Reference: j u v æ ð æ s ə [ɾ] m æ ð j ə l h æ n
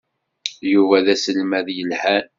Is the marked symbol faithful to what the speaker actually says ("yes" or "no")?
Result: no